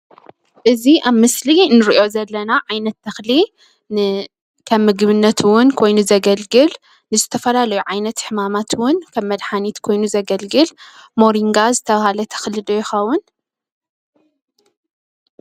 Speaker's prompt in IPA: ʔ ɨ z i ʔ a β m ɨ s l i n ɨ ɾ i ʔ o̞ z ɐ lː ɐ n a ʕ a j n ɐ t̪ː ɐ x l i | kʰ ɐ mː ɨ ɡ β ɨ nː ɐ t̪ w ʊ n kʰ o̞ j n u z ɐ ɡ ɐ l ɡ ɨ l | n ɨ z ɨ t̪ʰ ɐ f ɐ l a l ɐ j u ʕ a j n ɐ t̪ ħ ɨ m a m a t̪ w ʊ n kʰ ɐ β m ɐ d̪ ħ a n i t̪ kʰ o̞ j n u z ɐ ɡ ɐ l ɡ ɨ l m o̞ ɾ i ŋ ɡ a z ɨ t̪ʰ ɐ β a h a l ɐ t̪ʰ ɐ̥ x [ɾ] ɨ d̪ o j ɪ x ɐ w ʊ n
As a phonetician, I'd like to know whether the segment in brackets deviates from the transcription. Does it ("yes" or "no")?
yes